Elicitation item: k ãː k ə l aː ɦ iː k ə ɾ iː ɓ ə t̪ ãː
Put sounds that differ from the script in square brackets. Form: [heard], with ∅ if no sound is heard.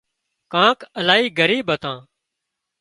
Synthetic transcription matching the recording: k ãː k ə l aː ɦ iː [ɡ] ə ɾ iː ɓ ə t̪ ãː